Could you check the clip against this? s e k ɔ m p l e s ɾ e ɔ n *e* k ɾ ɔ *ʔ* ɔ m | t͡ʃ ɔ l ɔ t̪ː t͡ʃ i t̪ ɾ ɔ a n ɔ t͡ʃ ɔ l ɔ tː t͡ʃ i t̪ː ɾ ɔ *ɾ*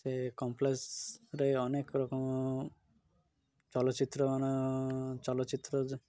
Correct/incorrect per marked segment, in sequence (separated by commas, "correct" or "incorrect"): correct, incorrect, incorrect